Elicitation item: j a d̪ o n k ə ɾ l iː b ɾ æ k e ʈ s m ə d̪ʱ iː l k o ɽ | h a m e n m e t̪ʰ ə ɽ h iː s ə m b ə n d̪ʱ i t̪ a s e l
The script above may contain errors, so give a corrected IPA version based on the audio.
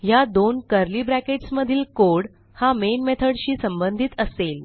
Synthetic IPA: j a d̪ o n k ə ɾ l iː b ɾ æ k e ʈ s m ə d̪ʱ iː l k o ɽ | h a m e n m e t̪ʰ ə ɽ ɕ iː s ə m b ə n d̪ʱ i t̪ ə s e l